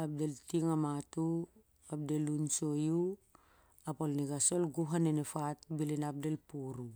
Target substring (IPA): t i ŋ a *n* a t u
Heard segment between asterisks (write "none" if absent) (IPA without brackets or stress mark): m